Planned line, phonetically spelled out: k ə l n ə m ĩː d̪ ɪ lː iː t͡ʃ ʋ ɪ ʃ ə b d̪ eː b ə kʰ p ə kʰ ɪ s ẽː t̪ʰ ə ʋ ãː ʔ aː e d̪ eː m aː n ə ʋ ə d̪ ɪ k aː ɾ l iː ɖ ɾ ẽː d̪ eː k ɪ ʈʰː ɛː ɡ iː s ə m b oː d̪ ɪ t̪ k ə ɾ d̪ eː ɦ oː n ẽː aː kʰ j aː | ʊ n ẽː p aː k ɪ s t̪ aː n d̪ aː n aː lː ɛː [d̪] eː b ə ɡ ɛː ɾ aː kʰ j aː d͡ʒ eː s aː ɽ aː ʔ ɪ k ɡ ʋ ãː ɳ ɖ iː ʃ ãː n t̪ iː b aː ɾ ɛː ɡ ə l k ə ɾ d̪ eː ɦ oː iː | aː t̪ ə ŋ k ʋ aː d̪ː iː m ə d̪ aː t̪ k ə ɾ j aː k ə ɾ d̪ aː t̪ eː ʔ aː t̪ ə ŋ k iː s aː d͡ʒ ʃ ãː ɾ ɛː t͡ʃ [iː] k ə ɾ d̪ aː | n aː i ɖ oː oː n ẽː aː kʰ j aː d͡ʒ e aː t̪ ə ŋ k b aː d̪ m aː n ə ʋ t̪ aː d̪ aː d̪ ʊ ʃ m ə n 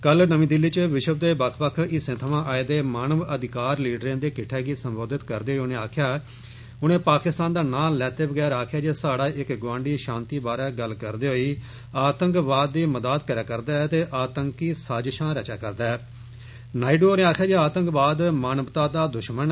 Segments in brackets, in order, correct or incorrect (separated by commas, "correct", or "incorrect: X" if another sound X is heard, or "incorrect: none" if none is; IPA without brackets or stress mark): incorrect: t̪, incorrect: aː